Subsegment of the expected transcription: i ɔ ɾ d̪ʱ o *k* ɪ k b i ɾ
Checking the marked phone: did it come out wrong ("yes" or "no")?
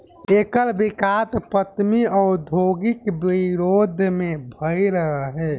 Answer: yes